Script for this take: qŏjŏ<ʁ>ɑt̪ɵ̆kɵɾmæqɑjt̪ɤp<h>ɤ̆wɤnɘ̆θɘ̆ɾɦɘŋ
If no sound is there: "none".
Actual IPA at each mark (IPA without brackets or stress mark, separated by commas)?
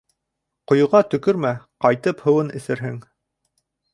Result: ʁ, h